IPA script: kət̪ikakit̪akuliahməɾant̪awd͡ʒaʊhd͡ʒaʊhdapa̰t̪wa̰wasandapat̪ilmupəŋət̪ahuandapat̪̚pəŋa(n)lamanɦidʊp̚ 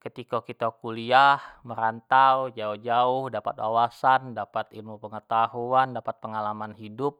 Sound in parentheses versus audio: incorrect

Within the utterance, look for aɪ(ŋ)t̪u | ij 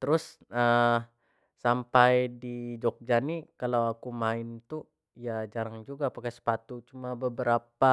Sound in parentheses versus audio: incorrect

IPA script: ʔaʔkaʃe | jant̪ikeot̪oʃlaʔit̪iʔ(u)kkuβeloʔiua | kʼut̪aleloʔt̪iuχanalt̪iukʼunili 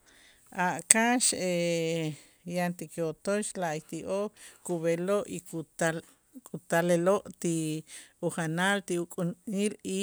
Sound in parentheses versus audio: incorrect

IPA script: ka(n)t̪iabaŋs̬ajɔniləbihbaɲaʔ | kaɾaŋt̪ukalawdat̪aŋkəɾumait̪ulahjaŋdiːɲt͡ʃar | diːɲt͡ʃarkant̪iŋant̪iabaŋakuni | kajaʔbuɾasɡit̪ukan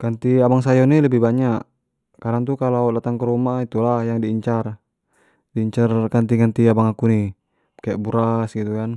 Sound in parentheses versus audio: correct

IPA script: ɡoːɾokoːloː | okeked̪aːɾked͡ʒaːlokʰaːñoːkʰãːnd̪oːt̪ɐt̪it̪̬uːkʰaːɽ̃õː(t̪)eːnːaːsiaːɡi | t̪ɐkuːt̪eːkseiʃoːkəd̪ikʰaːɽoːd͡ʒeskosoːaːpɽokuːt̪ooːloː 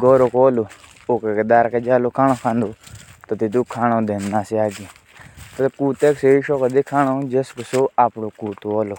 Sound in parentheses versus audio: incorrect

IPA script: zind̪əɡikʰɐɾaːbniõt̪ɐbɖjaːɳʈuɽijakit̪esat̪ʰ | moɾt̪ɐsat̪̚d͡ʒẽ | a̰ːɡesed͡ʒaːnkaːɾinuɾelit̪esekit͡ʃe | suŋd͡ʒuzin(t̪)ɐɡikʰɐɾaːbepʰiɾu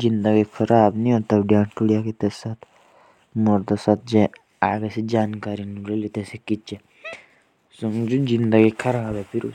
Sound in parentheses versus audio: incorrect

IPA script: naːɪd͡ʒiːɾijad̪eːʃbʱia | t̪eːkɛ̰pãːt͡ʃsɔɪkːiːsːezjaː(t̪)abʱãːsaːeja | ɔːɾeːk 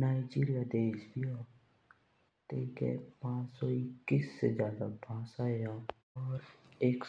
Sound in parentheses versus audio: incorrect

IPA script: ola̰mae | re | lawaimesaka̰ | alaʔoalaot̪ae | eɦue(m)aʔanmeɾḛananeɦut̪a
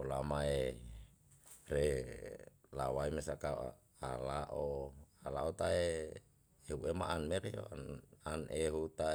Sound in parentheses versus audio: correct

